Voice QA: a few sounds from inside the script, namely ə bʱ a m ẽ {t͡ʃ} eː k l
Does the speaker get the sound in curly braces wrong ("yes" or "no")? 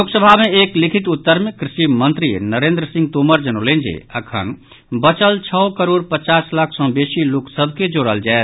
yes